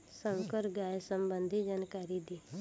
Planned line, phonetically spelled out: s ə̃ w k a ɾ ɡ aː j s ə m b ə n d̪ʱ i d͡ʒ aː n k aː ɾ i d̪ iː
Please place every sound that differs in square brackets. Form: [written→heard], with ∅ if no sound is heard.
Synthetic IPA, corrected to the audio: s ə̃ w k [a→ə] ɾ ɡ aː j s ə m b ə n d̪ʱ i d͡ʒ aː n k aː ɾ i d̪ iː